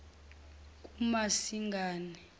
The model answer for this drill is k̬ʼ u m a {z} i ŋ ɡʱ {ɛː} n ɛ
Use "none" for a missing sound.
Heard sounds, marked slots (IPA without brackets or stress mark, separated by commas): s, aː